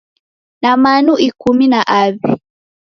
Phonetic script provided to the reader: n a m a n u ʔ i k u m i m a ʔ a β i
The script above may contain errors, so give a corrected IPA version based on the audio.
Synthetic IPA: n a m a n u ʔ i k u m i n a ʔ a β i